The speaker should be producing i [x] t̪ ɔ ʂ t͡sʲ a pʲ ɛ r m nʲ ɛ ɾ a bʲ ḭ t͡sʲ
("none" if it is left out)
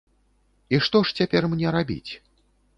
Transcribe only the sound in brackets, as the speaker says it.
ʂ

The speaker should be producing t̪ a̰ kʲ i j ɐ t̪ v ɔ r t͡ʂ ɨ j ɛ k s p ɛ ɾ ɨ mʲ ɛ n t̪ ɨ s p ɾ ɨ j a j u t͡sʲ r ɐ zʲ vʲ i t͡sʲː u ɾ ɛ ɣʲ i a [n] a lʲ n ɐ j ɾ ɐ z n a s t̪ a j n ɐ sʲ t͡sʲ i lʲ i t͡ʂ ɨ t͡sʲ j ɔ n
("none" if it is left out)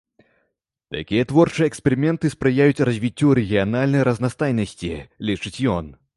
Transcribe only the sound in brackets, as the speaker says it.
n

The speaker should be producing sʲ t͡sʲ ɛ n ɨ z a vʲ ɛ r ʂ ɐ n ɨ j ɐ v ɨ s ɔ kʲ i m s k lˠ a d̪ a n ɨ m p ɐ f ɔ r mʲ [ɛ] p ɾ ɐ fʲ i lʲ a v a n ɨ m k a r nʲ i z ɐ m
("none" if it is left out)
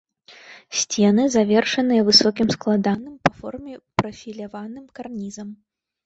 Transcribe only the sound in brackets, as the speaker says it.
ɛ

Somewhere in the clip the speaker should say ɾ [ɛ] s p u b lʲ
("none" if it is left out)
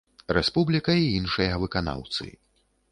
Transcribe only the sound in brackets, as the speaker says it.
ɛ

